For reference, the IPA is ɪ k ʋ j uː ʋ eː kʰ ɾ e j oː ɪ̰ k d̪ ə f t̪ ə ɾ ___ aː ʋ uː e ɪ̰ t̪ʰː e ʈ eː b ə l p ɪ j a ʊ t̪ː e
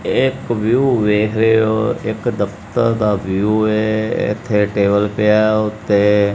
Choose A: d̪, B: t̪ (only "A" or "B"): A